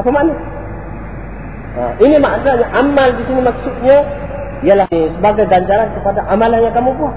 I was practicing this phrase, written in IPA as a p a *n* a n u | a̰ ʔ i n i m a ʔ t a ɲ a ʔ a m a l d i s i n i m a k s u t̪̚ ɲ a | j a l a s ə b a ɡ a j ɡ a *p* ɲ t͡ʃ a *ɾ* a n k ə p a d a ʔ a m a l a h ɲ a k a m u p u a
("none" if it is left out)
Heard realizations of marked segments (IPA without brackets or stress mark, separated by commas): m, none, ɾ